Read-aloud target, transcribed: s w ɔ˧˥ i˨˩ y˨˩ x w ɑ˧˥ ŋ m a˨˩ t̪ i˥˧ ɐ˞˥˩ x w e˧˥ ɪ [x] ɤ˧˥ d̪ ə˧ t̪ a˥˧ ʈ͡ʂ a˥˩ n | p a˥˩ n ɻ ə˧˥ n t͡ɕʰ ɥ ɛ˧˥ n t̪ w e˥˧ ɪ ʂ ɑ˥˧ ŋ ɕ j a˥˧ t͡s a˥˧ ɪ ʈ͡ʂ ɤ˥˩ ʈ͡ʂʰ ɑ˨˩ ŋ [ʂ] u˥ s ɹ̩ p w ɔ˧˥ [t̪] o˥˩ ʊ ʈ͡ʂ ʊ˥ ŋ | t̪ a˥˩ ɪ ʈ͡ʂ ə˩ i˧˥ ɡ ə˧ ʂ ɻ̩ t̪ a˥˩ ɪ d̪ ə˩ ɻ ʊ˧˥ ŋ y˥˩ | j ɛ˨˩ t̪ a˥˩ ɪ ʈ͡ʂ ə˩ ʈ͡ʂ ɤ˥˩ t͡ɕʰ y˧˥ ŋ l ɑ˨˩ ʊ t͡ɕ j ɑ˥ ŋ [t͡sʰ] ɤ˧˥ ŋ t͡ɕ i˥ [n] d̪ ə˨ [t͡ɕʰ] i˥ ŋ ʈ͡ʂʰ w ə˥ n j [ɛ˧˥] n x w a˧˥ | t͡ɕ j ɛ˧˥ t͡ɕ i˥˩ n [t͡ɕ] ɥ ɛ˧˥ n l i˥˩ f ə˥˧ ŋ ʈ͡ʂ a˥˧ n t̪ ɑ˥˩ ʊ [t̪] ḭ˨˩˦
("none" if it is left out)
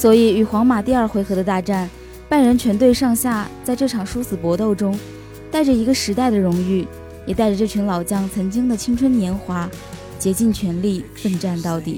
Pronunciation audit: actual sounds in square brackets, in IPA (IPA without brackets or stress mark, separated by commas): x, ʂ, t̪, t͡sʰ, ŋ, t͡ɕʰ, ɛ˧˥, t͡ɕʰ, t̪